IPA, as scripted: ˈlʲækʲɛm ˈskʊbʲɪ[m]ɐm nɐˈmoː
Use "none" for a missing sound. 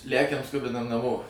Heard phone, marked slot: n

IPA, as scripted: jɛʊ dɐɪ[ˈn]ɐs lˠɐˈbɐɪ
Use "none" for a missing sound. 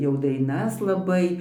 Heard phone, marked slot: n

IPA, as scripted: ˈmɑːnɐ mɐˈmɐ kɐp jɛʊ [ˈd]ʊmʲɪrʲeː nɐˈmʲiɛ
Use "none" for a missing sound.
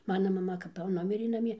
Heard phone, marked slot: n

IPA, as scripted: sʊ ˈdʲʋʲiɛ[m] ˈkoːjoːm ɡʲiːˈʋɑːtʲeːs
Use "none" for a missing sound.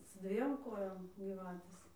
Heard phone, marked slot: m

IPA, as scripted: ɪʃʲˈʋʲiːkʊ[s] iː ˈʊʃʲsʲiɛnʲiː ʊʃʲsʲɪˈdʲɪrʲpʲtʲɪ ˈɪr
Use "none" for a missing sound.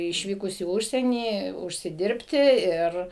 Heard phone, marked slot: s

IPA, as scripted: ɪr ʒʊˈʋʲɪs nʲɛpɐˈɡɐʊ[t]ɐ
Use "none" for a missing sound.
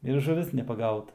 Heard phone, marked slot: t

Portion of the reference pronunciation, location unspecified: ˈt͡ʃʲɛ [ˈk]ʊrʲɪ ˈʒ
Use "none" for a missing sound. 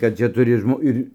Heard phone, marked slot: t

